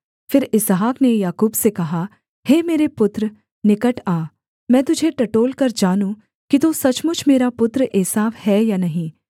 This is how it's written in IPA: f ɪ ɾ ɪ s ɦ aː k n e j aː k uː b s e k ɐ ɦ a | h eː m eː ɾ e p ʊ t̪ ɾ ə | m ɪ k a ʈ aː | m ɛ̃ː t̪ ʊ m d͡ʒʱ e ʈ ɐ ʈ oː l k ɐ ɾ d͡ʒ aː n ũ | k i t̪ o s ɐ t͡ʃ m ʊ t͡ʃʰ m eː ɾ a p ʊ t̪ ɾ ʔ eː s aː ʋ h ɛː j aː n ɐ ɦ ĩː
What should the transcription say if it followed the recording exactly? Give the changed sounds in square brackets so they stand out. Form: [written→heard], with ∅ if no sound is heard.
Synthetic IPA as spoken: f ɪ ɾ ɪ s ɦ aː k n e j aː k uː b s e k ɐ ɦ a | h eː m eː ɾ e p ʊ t̪ ɾ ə | [m→n] ɪ k [a→ə] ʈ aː | m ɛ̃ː t̪ ʊ [m→∅] d͡ʒʱ e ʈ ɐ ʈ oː l k ɐ ɾ d͡ʒ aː n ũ | k i t̪ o s ɐ t͡ʃ m ʊ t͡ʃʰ m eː ɾ a p ʊ t̪ ɾ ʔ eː s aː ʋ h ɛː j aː n ɐ ɦ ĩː